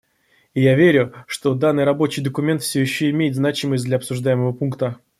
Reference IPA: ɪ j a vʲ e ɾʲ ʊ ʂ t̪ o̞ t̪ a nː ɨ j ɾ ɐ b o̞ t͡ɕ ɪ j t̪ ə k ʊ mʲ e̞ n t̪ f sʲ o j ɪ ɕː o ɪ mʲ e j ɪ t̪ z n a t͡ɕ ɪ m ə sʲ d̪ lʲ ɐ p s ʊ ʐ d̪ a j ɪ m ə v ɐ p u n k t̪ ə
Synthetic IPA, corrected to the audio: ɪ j a vʲ e ɾʲ ʊ ʂ t̪ o̞ d̪ a nː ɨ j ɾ ɐ b o̞ t͡ɕ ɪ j d̪ ə k ʊ mʲ e̞ n t̪ f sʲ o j ɪ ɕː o ɪ mʲ e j ɪ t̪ z n a t͡ɕ ɪ m ə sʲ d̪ lʲ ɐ p s ʊ ʐ d̪ a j ɪ m ə v ə p u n k t̪ ə